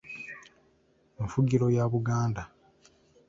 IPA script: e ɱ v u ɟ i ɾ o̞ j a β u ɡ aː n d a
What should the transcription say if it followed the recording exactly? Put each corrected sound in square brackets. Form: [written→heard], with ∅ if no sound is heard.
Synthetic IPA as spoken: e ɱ [v→f] u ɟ i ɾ o̞ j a β u ɡ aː n d a